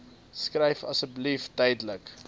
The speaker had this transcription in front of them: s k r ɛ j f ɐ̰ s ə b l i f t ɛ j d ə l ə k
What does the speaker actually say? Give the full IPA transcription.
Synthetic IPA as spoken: s k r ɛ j f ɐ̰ s ə b l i f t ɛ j d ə l ə k